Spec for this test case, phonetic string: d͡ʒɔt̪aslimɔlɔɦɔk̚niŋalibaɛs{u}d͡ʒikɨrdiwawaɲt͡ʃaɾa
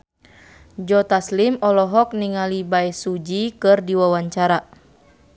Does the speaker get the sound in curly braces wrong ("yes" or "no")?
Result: no